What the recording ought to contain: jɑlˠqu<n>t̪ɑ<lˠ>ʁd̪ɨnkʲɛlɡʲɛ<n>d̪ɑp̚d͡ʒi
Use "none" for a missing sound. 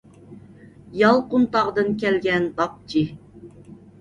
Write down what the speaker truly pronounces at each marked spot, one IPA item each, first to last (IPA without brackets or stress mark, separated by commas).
n, none, n